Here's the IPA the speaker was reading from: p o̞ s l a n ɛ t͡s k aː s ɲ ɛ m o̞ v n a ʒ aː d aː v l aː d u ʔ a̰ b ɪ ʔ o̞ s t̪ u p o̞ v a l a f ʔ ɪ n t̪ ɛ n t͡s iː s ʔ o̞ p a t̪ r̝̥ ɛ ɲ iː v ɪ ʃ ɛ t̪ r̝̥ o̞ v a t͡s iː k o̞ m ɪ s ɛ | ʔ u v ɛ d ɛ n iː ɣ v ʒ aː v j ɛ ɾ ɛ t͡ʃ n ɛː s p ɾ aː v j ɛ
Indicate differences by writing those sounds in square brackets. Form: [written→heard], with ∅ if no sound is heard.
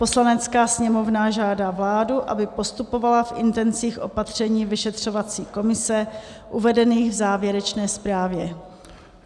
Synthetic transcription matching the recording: p o̞ s l a n ɛ t͡s k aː s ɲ ɛ m o̞ v n a ʒ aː d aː v l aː d u ʔ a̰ b ɪ [ʔ→p] o̞ s t̪ u p o̞ v a l a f ʔ ɪ n t̪ ɛ n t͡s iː [s→x] ʔ o̞ p a t̪ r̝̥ ɛ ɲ iː v ɪ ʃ ɛ t̪ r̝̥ o̞ v a t͡s iː k o̞ m ɪ s ɛ | ʔ u v ɛ d ɛ n iː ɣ v [ʒ→z] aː v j ɛ ɾ ɛ t͡ʃ n ɛː s p ɾ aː v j ɛ